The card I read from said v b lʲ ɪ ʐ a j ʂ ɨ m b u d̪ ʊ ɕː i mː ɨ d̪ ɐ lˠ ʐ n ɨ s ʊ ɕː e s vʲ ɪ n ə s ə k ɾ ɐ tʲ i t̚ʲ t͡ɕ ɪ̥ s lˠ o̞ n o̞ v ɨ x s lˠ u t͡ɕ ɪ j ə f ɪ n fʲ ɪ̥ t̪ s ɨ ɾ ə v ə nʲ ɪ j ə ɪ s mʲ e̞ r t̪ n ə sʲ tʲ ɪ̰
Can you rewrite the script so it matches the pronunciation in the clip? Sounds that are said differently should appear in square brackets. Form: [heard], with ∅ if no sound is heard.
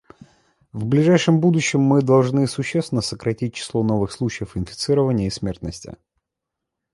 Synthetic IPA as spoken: v b lʲ ɪ ʐ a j ʂ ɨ m b u d̪ ʊ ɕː [ɪ] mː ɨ d̪ ɐ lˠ ʐ n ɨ s ʊ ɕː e s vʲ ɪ n ə s ə k ɾ ɐ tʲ i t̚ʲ t͡ɕ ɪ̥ s lˠ o̞ n o̞ v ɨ x s lˠ u t͡ɕ ɪ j ə f ɪ n fʲ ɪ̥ t̪ s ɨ ɾ ə v ə nʲ ɪ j ə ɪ s mʲ e̞ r t̪ n ə sʲ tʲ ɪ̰